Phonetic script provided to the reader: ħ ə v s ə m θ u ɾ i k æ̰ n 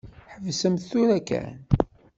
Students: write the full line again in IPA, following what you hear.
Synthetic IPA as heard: ħ ə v s ə m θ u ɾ æ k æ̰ n